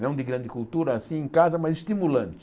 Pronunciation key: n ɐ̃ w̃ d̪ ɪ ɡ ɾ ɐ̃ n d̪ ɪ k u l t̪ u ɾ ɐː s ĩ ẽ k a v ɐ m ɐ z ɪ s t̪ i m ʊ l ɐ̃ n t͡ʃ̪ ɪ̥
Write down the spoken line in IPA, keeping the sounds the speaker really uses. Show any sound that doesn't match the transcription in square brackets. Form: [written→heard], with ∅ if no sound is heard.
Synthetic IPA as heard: n ɐ̃ w̃ d̪ ɪ ɡ ɾ ɐ̃ n d̪ ɪ k u l t̪ u ɾ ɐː s ĩ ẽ k a [v→z] ɐ m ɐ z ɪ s t̪ i m [ʊ→u] l ɐ̃ n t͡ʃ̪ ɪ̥

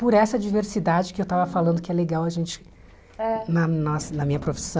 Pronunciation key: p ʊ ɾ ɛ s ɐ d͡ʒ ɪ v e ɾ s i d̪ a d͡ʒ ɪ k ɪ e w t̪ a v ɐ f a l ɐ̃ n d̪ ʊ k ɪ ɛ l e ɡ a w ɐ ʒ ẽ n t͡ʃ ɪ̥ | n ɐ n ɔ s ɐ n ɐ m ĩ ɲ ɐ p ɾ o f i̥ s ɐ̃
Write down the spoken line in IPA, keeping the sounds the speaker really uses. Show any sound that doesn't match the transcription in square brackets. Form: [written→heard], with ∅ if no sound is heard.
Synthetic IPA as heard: p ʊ ɾ ɛ s ɐ d͡ʒ [ɪ→i] v e ɾ s i d̪ a d͡ʒ ɪ k ɪ e w t̪ a v ɐ f a l ɐ̃ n d̪ ʊ k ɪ ɛ l e ɡ a w ɐ ʒ ẽ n t͡ʃ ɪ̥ | n ɐ n ɔ s ɐ n ɐ m ĩ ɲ ɐ p ɾ o f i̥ s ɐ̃

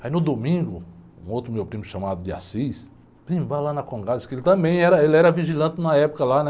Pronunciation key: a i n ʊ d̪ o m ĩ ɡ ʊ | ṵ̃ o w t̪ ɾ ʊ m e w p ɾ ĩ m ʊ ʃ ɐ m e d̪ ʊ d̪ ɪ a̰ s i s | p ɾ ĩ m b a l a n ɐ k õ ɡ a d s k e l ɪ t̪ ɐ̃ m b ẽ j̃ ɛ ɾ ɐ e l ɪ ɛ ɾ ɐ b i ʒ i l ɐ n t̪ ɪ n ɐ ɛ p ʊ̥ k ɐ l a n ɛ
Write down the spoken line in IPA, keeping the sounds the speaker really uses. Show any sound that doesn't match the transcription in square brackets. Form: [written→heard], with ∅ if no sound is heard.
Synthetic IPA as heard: a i n ʊ d̪ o m ĩ ɡ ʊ | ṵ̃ o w t̪ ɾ ʊ m e w p ɾ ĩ m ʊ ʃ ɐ m [e→a] d̪ ʊ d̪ ɪ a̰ s i s | p ɾ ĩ m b a l a n ɐ k õ ɡ a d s k e l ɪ t̪ ɐ̃ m b ẽ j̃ ɛ ɾ ɐ e l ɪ ɛ ɾ ɐ [b→v] i ʒ i l [ɐ→ɐ̃] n t̪ ɪ n ɐ ɛ p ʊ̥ k ɐ l a n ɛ

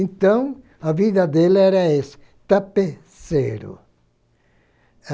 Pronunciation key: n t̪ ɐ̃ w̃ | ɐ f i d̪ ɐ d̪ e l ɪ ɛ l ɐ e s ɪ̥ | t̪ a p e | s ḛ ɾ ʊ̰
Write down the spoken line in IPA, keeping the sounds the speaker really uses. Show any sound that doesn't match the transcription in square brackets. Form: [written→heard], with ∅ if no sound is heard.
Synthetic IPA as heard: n t̪ ɐ̃ w̃ | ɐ [f→v] i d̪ ɐ d̪ e l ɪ ɛ [l→ɾ] ɐ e s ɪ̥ | t̪ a p e | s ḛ ɾ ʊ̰

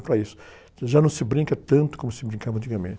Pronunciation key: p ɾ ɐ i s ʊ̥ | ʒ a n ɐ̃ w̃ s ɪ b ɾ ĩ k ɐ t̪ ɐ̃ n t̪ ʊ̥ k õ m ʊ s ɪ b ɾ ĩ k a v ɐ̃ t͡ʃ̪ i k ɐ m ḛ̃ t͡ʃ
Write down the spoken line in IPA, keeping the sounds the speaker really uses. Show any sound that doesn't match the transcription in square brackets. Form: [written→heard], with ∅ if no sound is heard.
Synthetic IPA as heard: p ɾ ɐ i s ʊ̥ | ʒ a n ɐ̃ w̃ s ɪ b ɾ ĩ k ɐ t̪ ɐ̃ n t̪ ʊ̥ k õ m ʊ s ɪ b ɾ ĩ k a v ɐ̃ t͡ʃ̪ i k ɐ m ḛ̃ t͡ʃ

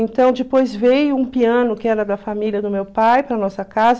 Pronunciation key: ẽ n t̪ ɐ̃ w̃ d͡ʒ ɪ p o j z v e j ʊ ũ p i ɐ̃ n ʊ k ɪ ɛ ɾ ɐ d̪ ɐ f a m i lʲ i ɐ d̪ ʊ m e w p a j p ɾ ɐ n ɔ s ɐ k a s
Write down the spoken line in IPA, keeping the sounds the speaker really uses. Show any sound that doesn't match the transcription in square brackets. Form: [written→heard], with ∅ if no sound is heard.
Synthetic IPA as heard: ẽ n t̪ ɐ̃ w̃ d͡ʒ ɪ p o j z v e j ʊ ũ p i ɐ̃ n ʊ k ɪ ɛ ɾ ɐ d̪ ɐ f a m i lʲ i ɐ d̪ ʊ m e w p a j p ɾ ɐ n ɔ s ɐ k a [s→z]

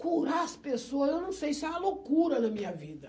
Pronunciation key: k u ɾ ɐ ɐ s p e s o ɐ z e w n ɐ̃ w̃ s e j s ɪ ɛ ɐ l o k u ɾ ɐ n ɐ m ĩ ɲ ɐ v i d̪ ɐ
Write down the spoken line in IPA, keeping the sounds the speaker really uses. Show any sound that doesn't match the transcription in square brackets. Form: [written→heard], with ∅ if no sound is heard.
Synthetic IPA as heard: k u ɾ [ɐ→a] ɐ s p e s o ɐ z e w n ɐ̃ w̃ s e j s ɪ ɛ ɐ l o k u ɾ ɐ n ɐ m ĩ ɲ ɐ v i d̪ ɐ

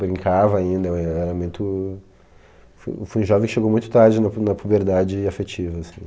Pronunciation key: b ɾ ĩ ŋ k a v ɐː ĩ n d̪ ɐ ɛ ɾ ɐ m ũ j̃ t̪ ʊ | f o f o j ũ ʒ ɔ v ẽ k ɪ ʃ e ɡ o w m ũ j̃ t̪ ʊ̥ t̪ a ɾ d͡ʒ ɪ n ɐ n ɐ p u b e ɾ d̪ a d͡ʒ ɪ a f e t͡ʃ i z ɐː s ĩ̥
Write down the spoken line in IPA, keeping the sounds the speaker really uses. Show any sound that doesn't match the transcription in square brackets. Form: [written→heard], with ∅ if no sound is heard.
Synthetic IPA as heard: b ɾ ĩ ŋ k a v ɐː ĩ n d̪ ɐ ɛ ɾ ɐ m ũ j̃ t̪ ʊ | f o f o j ũ ʒ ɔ v ẽ k ɪ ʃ e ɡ o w m ũ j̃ t̪ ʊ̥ t̪ a ɾ d͡ʒ ɪ n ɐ n ɐ p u b e ɾ d̪ a d͡ʒ ɪ a f e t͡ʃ i [z→v] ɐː s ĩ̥

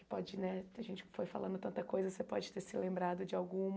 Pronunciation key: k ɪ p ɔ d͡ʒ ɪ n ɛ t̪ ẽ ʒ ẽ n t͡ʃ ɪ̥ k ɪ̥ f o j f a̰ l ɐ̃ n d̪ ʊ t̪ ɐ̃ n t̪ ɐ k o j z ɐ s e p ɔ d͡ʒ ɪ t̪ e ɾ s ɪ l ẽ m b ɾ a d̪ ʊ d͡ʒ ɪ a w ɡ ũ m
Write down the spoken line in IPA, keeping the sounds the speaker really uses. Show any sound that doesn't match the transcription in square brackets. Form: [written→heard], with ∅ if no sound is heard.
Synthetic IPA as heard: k ɪ p ɔ d͡ʒ ɪ n ɛ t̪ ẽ ʒ ẽ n t͡ʃ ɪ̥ k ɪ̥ f o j f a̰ l ɐ̃ n d̪ ʊ t̪ ɐ̃ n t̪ ɐ k o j z ɐ s e p ɔ d͡ʒ ɪ t̪ e ɾ s ɪ l ẽ m b ɾ a d̪ ʊ d͡ʒ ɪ a w ɡ ũ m

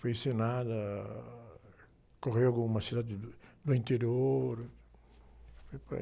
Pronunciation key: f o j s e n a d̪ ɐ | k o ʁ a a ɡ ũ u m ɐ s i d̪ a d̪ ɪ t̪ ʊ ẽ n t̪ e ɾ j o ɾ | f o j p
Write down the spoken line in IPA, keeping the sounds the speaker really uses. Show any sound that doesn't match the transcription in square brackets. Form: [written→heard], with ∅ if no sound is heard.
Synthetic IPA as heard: f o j s e n a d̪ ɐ | k o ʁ [a→e] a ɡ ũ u m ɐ s i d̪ a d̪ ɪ [t̪→d̪] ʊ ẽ n t̪ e ɾ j o ɾ | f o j p

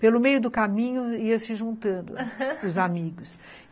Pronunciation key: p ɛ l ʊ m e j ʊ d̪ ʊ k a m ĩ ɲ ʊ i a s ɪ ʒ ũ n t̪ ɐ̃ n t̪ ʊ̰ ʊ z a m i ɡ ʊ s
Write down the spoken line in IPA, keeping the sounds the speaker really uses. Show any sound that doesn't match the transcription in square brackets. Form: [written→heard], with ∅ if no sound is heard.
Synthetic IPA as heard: p [ɛ→e] l ʊ m e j ʊ d̪ ʊ k a m ĩ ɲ ʊ i [a→ɐ] s ɪ ʒ ũ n t̪ ɐ̃ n [t̪→d̪] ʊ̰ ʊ z a m i ɡ ʊ s

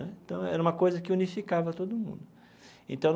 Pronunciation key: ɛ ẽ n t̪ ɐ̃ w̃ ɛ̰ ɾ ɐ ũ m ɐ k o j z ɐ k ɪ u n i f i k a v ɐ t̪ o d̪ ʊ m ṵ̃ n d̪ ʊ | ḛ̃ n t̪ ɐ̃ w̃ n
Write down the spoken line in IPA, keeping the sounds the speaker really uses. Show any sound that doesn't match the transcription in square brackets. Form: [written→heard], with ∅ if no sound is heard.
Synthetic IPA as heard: ɛ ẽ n t̪ ɐ̃ w̃ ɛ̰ ɾ ɐ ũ m ɐ k o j z ɐ k ɪ u n i f i k a v ɐ t̪ o d̪ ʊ m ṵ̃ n d̪ ʊ | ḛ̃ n t̪ ɐ̃ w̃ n

